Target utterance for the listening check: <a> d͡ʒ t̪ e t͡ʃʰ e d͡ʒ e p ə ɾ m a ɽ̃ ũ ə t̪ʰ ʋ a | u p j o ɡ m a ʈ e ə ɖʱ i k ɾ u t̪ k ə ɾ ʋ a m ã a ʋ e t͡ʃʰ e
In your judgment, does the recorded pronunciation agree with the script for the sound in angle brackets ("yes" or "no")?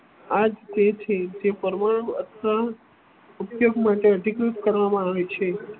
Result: yes